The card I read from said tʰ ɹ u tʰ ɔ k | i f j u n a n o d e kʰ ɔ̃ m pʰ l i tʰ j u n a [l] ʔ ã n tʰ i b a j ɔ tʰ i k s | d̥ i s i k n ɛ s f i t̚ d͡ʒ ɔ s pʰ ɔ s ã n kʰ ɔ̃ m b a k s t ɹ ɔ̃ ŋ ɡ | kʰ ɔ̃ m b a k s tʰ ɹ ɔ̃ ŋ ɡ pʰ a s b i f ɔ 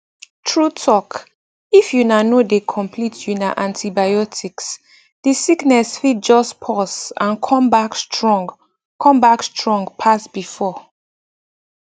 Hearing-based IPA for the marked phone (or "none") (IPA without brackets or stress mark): none